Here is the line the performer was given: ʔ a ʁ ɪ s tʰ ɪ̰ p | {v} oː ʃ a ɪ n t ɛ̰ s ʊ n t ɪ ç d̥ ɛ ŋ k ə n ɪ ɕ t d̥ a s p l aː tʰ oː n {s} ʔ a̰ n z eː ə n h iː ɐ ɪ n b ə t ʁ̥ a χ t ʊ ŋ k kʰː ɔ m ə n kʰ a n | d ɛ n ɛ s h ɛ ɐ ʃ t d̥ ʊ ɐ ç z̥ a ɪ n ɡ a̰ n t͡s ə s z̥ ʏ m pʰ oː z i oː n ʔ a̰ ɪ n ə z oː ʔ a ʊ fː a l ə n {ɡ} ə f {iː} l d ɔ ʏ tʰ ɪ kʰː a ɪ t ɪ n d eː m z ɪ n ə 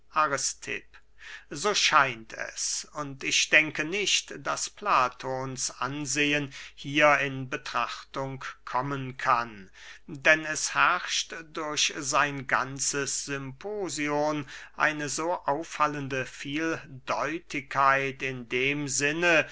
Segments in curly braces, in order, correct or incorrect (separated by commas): incorrect, correct, incorrect, correct